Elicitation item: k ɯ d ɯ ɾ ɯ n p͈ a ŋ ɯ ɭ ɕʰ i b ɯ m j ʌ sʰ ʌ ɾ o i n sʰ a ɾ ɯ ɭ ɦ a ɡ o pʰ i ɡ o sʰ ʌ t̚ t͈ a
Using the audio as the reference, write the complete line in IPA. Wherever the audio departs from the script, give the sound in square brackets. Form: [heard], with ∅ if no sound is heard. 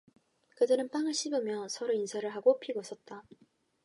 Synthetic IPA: k ɯ d ɯ ɾ ɯ n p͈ a ŋ ɯ ɭ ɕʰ i b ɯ m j ʌ sʰ ʌ ɾ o i n sʰ a ɾ ɯ ɭ ɦ a ɡ o pʰ i ɡ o sʰ ʌ t̚ t͈ a